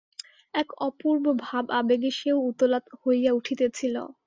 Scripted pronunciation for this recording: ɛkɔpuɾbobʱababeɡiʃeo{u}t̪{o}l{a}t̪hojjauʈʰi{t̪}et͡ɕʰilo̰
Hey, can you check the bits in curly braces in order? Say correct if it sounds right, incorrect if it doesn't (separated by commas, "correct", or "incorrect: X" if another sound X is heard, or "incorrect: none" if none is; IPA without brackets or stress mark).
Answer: correct, correct, correct, correct